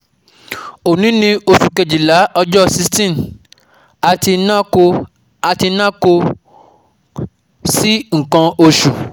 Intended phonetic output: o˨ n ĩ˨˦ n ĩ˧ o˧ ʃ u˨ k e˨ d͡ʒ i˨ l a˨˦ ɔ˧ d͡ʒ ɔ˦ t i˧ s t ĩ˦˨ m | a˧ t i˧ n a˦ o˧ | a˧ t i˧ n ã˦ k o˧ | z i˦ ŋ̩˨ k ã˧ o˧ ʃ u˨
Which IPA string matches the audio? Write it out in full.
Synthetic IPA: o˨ n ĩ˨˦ n ĩ˧ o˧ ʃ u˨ k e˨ d͡ʒ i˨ l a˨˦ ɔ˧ d͡ʒ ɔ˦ s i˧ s t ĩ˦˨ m | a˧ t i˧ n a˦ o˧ | a˧ t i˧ n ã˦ k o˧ | s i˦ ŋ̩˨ k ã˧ o˧ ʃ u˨